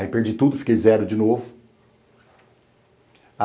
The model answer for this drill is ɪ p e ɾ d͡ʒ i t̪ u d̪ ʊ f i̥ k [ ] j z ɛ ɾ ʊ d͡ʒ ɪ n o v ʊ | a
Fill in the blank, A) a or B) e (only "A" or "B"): B